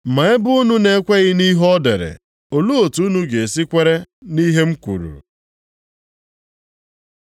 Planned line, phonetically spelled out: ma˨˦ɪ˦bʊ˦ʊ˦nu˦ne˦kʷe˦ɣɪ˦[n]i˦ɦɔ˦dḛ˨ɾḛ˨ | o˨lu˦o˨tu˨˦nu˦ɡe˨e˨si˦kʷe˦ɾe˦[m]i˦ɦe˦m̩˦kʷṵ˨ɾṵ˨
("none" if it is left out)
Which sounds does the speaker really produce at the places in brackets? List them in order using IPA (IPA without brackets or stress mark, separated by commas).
n, n